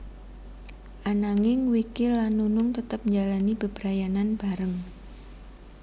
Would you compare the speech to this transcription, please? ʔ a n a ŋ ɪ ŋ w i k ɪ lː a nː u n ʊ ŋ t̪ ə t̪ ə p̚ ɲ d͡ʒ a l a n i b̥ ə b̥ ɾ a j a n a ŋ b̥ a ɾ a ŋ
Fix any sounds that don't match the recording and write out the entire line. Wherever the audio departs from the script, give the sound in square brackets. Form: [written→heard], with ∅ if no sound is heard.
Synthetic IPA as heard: ʔ a n a ŋ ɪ ŋ w i k ɪ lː a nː u n ʊ ŋ t̪ ə t̪ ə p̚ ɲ d͡ʒ a l a n i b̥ ə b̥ ɾ a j a n a [ŋ→n] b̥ a ɾ [a→ə] ŋ